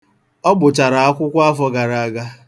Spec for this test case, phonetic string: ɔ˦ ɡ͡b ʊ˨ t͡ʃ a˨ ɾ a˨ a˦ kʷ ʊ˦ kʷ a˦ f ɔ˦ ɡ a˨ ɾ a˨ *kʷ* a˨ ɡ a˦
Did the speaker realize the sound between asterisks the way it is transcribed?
no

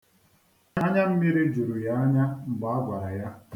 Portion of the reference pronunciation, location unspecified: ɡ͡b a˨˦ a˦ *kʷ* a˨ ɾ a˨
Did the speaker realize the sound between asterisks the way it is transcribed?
no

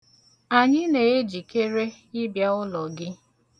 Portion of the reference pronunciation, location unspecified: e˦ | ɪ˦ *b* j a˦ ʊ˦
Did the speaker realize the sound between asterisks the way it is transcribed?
yes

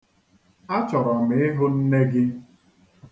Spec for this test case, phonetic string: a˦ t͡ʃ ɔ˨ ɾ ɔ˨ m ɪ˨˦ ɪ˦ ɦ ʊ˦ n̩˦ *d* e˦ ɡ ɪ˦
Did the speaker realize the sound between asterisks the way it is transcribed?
no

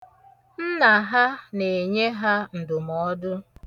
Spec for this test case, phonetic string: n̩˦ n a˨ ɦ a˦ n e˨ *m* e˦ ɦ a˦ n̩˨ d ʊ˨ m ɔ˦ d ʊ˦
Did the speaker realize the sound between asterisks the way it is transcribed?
no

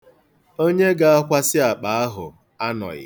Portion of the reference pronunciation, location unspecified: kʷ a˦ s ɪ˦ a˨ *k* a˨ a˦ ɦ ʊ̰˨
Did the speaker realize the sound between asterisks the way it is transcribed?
no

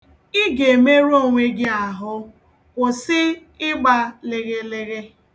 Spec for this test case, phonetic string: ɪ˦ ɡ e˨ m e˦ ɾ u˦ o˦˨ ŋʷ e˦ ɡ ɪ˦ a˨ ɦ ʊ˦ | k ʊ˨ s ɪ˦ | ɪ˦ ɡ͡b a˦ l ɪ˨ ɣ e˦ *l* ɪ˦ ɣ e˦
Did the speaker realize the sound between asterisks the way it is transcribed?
yes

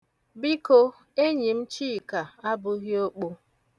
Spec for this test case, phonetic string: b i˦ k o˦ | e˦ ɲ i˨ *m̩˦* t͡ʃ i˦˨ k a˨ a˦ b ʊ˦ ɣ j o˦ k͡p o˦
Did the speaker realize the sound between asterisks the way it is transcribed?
yes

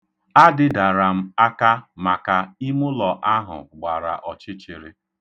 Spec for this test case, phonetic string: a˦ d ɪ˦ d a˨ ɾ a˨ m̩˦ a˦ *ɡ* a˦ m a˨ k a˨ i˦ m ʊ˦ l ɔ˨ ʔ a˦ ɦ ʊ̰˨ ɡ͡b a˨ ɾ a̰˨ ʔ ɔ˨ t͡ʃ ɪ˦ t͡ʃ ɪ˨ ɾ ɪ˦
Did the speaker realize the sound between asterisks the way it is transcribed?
no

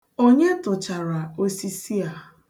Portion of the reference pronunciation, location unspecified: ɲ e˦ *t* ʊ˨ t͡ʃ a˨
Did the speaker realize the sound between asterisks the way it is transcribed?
yes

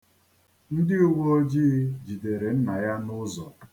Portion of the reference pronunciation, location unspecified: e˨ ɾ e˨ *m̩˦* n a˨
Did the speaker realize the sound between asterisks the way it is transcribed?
no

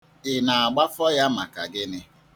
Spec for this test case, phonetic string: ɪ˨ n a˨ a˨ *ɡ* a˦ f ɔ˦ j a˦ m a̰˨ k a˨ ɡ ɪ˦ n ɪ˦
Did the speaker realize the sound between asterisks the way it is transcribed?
no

